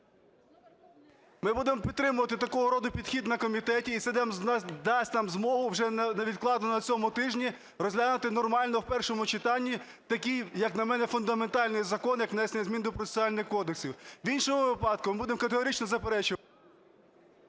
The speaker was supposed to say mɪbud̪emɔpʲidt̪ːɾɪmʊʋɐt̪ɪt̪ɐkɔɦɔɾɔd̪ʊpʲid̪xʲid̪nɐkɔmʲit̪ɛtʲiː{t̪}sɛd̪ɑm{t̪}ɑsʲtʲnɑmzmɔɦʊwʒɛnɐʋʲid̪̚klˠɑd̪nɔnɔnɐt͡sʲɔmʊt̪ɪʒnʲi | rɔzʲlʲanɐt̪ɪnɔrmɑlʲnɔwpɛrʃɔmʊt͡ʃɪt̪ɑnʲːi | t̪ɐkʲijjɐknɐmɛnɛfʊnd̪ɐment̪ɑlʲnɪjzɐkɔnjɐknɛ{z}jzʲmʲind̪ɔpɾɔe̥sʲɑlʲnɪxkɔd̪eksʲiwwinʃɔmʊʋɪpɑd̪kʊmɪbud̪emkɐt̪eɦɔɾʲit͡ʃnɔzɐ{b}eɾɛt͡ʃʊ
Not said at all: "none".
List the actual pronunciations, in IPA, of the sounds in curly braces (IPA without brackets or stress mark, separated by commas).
t̪, d̪, s, p